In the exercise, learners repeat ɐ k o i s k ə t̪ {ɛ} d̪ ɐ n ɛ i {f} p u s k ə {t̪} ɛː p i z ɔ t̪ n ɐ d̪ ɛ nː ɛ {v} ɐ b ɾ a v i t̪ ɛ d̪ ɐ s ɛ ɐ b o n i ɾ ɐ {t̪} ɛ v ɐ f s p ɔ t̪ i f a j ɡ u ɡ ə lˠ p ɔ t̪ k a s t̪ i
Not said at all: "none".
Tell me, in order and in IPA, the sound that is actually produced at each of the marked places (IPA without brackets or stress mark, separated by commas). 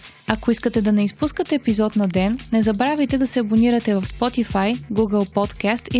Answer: ɛ, s, t̪, z, t̪